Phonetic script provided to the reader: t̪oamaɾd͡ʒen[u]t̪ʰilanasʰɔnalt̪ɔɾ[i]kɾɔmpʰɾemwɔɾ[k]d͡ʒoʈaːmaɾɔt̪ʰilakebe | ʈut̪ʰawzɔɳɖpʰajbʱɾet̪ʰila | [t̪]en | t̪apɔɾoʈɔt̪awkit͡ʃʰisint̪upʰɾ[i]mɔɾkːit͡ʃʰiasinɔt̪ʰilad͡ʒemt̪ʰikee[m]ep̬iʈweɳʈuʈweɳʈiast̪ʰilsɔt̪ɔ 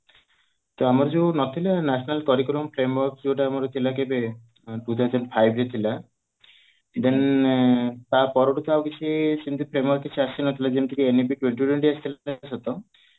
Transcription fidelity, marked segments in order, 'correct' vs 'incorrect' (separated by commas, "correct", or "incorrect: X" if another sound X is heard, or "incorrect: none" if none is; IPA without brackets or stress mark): incorrect: ɔ, correct, correct, incorrect: d̪, incorrect: e, incorrect: n